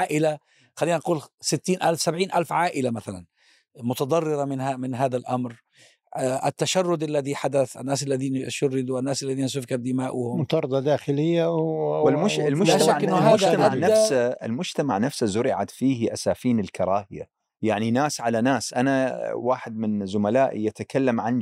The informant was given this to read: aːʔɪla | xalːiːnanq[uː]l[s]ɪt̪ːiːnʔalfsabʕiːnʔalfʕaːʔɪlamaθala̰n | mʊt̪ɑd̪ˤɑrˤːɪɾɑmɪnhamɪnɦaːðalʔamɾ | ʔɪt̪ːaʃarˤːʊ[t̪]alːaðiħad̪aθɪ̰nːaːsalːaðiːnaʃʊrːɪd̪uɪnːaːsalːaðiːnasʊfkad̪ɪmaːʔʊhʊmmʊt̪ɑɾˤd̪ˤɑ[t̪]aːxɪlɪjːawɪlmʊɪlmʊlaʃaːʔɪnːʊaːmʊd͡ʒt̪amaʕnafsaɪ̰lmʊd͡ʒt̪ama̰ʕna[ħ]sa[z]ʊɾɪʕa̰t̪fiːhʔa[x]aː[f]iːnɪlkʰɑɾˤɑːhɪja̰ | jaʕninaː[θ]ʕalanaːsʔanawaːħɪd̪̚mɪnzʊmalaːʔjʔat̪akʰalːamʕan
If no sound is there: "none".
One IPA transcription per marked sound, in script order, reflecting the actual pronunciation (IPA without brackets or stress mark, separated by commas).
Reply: uː, s, d̪, d̪, f, z, s, f, s